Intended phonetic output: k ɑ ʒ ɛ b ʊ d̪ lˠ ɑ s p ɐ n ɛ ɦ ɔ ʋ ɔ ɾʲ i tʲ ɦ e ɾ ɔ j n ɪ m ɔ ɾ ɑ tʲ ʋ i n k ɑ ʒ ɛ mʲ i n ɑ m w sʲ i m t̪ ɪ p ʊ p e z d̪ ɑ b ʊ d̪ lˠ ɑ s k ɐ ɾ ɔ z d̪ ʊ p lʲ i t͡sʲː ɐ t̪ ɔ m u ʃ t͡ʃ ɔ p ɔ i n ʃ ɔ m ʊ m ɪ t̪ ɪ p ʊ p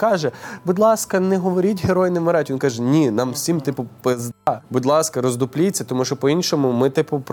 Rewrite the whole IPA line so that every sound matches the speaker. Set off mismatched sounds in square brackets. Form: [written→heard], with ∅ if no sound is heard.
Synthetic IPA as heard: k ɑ ʒ ɛ b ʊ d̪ lˠ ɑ s [p→k] ɐ n ɛ ɦ ɔ ʋ ɔ ɾʲ i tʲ ɦ e ɾ ɔ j n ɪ m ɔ ɾ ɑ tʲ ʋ i n k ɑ ʒ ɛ [mʲ→nʲ] i n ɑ m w sʲ i m t̪ ɪ p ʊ p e z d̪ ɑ b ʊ d̪ lˠ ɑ s k ɐ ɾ ɔ z d̪ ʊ p lʲ i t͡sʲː ɐ t̪ ɔ m u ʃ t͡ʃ ɔ p ɔ i n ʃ ɔ m ʊ m ɪ t̪ ɪ p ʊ p